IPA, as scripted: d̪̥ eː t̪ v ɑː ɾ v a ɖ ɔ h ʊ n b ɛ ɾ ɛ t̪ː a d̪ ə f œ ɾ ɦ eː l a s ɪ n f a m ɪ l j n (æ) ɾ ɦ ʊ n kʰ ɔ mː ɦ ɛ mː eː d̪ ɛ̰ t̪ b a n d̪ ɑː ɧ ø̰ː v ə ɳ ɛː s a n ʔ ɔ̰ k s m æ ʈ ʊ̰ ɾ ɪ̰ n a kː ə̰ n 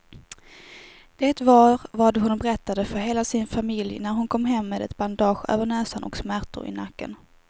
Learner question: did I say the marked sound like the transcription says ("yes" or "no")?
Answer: yes